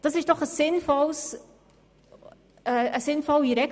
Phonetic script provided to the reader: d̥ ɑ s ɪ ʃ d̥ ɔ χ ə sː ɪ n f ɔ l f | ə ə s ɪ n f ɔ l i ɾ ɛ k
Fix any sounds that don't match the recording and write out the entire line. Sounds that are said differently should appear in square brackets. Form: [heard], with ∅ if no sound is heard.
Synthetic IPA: d̥ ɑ s ɪ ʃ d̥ ɔ χ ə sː ɪ n f ɔ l [s] | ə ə s ɪ n f ɔ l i ɾ ɛ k